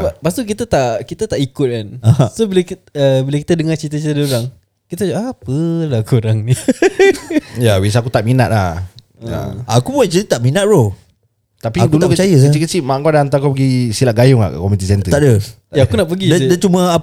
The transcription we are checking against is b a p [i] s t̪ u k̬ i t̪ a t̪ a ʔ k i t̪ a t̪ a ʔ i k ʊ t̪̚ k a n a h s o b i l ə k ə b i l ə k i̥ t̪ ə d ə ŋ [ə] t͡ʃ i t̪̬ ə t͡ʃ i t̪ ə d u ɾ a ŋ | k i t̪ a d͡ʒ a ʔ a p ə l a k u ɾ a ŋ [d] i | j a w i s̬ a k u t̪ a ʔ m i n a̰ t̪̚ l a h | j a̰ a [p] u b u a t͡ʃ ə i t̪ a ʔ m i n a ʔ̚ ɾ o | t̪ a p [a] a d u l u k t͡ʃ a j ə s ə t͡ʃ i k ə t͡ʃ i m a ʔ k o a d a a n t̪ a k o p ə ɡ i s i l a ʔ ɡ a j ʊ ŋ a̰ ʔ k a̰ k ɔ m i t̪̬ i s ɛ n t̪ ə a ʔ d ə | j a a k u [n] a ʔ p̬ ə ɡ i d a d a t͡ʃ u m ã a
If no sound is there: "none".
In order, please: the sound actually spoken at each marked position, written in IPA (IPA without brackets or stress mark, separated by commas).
a, a, n, k, i, n